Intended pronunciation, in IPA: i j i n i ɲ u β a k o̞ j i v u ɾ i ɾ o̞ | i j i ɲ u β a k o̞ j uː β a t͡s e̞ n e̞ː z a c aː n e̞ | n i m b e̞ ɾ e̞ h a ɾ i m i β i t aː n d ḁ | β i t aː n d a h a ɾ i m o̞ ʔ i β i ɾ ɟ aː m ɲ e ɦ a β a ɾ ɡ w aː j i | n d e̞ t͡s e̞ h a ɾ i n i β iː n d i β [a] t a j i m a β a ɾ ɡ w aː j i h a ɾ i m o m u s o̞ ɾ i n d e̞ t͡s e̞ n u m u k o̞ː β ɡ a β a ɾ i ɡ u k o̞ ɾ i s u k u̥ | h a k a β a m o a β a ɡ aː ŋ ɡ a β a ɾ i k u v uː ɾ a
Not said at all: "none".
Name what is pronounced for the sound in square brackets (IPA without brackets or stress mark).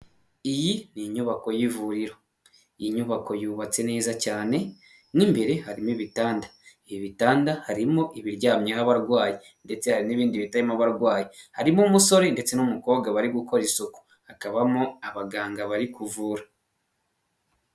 i